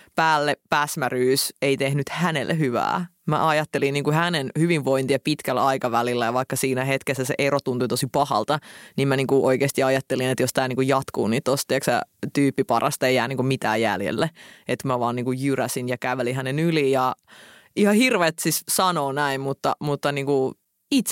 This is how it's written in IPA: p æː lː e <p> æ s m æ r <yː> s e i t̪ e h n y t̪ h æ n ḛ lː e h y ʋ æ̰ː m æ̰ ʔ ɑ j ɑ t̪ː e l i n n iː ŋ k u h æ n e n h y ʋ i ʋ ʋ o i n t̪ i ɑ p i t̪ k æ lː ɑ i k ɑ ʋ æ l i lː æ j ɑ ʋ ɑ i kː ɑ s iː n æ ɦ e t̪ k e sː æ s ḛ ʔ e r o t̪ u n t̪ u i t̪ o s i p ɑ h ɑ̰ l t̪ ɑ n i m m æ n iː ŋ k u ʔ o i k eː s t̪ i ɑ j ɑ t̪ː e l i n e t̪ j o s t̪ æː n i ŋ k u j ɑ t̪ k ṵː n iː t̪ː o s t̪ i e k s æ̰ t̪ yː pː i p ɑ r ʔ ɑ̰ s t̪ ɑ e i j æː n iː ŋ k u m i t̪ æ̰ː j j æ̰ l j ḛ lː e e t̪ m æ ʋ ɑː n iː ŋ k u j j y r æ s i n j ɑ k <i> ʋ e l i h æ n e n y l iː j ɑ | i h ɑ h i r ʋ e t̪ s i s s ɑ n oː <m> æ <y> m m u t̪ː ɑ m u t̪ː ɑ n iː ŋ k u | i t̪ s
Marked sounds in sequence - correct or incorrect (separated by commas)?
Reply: correct, correct, incorrect, incorrect, incorrect